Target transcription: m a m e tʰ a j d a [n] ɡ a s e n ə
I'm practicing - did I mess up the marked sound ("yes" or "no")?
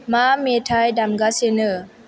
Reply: yes